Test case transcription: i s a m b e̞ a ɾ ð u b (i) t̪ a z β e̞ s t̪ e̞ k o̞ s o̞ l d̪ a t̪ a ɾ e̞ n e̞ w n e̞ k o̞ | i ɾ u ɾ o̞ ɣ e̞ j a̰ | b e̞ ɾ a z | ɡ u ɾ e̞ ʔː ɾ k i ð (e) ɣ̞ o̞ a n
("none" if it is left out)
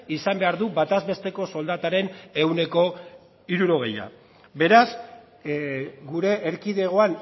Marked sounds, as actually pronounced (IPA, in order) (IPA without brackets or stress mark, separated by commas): a, e